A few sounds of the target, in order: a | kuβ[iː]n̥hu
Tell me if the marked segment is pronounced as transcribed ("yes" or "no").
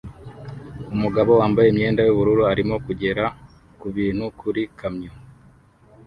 yes